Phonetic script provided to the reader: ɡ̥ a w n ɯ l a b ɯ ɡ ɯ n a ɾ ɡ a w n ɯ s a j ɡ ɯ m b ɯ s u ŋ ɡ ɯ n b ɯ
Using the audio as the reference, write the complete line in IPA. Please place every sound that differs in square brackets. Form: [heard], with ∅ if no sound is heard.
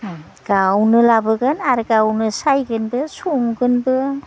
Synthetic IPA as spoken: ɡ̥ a w n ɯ l a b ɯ ɡ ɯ n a ɾ ɡ a w n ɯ s a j ɡ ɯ [n] b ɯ s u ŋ ɡ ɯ n b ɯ